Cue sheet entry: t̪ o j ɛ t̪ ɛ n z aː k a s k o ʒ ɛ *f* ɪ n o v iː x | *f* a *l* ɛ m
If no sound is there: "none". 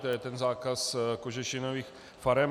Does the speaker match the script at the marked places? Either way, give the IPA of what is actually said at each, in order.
ʃ, f, ɾ

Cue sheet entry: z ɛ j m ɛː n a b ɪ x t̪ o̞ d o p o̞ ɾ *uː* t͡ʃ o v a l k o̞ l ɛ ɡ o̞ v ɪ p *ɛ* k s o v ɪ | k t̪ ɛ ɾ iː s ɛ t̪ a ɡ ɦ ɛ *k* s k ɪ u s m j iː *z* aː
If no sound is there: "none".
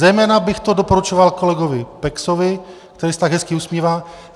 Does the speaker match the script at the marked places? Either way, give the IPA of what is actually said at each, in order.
u, ɛ, none, v

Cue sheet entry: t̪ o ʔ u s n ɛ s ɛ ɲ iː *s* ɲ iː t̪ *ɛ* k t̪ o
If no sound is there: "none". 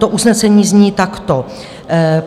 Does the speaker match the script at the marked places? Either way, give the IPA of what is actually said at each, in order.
z, a

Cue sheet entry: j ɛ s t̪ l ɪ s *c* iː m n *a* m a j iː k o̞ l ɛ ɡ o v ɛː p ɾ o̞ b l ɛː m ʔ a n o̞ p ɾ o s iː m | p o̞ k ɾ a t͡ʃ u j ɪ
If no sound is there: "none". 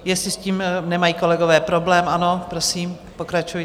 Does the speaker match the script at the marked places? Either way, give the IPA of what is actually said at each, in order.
c, ɛ

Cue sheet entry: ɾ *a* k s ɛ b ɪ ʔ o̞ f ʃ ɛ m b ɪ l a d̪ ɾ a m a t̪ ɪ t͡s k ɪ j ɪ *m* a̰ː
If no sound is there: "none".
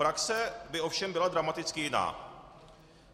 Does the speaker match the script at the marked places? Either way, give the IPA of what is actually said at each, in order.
a, n

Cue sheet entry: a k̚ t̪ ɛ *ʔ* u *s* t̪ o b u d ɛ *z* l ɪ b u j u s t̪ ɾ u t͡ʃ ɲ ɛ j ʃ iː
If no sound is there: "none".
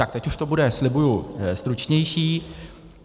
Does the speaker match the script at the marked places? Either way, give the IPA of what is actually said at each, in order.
c, ʃ, s

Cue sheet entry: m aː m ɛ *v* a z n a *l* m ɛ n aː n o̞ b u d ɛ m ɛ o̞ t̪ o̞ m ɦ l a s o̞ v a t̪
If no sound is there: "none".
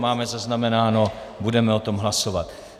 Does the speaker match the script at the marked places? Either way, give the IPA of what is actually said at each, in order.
z, none

